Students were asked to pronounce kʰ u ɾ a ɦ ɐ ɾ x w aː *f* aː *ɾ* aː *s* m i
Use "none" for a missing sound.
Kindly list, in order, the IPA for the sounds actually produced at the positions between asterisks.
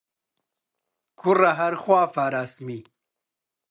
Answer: f, ɾ, s

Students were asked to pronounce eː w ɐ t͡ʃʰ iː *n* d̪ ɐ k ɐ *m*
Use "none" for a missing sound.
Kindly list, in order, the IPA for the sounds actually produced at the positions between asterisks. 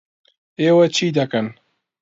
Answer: none, n

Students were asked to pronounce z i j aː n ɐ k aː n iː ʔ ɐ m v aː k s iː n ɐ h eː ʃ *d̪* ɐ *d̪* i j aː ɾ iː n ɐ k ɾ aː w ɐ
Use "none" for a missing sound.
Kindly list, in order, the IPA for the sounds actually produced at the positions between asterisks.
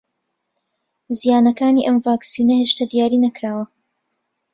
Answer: t̪, d̪

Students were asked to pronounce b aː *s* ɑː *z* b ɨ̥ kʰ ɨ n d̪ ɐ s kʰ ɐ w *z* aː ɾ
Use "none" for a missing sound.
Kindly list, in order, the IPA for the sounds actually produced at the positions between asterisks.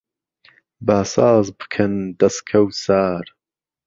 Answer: s, z, s

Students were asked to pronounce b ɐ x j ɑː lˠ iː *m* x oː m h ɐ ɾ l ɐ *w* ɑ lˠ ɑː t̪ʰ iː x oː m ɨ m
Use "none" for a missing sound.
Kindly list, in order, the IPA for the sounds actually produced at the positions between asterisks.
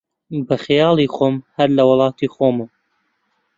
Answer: none, w

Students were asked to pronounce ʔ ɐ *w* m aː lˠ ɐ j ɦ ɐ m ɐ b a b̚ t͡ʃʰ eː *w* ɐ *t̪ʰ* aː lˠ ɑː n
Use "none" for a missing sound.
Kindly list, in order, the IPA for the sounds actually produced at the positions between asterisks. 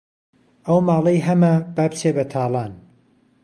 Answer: w, b, t̪ʰ

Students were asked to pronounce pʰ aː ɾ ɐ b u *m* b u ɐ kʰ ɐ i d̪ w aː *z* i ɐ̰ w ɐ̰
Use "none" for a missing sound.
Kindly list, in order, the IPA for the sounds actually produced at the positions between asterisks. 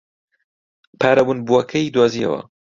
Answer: n, z

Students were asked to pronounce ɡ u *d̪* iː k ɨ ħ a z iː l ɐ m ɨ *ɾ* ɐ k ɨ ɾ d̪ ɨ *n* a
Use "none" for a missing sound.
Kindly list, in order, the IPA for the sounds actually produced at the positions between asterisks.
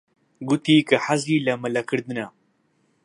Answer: t̪, l, n

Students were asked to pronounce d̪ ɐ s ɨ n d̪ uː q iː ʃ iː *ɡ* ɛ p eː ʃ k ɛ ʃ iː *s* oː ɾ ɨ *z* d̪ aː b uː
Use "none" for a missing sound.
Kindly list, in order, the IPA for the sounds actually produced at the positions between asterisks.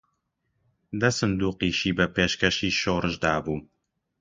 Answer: b, ʃ, ʒ

